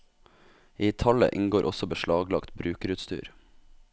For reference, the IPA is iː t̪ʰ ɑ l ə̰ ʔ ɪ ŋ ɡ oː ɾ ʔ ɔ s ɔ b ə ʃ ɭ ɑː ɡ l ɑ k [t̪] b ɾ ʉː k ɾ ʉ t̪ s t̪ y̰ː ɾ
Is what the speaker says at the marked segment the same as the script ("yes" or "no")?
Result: yes